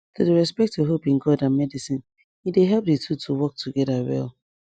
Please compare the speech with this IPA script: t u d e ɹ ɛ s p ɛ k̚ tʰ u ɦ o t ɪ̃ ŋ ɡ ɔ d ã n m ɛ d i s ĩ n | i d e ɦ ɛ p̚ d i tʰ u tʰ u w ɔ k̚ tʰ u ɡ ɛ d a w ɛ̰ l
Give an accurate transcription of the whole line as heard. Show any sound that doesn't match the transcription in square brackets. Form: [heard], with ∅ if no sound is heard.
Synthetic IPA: t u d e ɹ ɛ s p ɛ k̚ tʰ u ɦ o [p] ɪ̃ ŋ ɡ ɔ d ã n m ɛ d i s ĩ n | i d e ɦ ɛ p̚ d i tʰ u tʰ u w ɔ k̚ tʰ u ɡ ɛ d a w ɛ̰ l